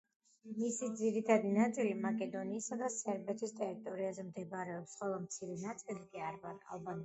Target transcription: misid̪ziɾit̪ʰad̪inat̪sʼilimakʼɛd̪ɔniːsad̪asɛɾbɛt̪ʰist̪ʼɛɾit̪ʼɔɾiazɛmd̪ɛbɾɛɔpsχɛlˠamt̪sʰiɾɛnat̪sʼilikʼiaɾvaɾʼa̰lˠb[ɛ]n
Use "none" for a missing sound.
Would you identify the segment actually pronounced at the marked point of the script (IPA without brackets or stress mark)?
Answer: a